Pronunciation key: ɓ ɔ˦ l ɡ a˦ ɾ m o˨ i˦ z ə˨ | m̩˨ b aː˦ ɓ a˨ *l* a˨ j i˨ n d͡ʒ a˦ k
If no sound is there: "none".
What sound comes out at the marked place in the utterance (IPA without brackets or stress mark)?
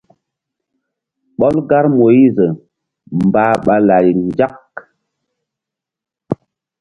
l